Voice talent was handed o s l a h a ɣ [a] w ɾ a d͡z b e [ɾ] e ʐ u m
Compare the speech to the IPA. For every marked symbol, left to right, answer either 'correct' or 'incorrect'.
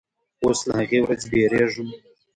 incorrect: e, correct

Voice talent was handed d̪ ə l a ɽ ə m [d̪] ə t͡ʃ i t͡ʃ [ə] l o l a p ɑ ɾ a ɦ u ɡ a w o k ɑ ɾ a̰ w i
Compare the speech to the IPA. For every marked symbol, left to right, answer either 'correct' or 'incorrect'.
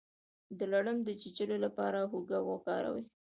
correct, correct

